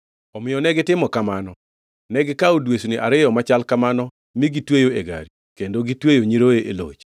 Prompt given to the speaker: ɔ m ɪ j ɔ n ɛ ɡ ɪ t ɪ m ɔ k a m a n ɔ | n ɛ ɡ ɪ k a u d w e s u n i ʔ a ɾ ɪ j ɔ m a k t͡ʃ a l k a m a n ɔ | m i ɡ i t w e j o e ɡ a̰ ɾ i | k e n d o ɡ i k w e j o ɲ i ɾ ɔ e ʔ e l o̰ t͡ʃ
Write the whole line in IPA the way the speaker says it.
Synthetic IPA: ɔ m ɪ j ɔ n ɛ ɡ ɪ t ɪ m ɔ k a m a n ɔ | n ɛ ɡ ɪ k a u d w e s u n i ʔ a ɾ ɪ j ɔ m a t͡ʃ a l k a m a n ɔ | m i ɡ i t w e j o e ɡ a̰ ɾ i | k e n d o ɡ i t w e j o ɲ i ɾ o e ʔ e l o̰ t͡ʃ